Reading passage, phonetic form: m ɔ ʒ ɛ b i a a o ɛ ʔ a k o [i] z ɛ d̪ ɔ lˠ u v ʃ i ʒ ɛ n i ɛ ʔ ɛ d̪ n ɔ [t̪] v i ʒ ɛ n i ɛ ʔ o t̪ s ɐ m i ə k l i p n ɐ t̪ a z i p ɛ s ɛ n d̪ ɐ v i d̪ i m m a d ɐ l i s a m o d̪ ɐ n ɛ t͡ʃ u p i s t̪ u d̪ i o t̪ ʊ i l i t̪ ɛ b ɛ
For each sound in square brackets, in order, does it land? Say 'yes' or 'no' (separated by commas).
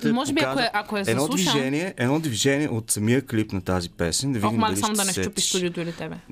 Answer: no, no